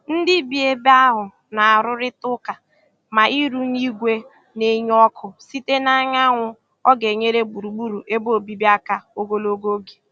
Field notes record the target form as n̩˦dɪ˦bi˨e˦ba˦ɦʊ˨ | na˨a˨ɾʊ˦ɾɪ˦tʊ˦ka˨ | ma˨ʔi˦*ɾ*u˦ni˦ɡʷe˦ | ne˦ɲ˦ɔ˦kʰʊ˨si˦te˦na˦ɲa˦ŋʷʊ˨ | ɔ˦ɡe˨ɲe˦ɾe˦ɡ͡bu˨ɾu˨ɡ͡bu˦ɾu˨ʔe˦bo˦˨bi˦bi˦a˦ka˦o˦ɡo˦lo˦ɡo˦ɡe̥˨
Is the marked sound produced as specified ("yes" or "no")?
yes